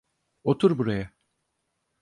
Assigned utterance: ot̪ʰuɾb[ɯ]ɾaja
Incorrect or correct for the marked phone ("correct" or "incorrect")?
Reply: incorrect